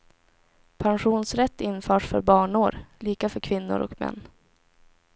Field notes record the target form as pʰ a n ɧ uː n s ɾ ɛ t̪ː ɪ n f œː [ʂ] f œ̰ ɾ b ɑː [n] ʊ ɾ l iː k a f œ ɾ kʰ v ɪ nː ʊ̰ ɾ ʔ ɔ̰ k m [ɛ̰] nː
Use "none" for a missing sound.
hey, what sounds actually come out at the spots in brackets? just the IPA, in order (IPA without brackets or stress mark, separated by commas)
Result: ʂ, ɳ, ɛ̰